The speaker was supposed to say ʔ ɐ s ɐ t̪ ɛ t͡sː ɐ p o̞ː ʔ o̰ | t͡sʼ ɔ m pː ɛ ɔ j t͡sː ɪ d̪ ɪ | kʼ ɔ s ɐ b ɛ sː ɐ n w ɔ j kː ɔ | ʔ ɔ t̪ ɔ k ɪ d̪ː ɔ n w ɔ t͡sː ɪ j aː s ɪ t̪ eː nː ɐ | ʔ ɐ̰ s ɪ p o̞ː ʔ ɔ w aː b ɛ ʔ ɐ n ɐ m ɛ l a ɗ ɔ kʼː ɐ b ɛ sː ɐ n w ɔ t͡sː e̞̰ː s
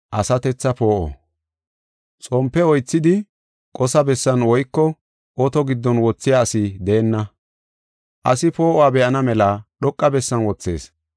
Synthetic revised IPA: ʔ ɐ s ɐ t̪ ɛ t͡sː ɐ p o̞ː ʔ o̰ | t͡sʼ ɔ m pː ɛ ɔ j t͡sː ɪ d̪ ɪ | kʼ ɔ s ɐ b ɛ sː ɐ n w ɔ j kː ɔ | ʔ ɔ t̪ ɔ ɡ ɪ d̪ː ɔ n w ɔ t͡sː ɪ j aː s ɪ d̪ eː nː ɐ | ʔ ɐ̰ s ɪ p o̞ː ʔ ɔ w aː b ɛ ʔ ɐ n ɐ m ɛ l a ɗ ɔ kʼː ɐ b ɛ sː ɐ n w ɔ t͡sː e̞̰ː s